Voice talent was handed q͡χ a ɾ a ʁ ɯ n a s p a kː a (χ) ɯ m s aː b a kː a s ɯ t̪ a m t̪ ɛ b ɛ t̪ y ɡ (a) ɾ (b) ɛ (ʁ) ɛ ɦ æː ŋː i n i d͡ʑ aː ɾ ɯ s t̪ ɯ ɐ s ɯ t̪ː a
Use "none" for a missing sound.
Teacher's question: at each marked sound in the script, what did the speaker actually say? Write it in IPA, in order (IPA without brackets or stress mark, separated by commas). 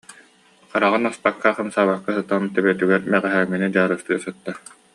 χ, ɛ, m, ʁ